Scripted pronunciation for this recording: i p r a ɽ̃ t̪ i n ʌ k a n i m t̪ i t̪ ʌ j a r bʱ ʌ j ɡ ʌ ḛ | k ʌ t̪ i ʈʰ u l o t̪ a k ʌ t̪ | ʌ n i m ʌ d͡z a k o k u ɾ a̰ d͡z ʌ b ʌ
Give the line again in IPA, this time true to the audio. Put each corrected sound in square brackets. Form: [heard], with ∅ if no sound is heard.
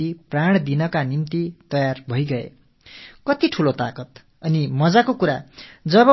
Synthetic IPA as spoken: i p r a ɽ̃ [d̪] i n ʌ k a n i m t̪ i t̪ ʌ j a r bʱ ʌ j ɡ ʌ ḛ | k ʌ t̪ i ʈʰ u l o t̪ a k ʌ t̪ | ʌ n i m ʌ d͡z a k o k u ɾ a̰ d͡z ʌ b ʌ